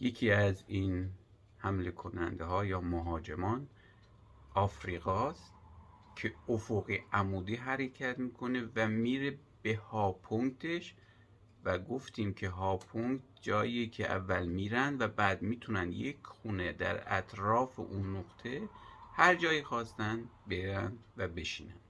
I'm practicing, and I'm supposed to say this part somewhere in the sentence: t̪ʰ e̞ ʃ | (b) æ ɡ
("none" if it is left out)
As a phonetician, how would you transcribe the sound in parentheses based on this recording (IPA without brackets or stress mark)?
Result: v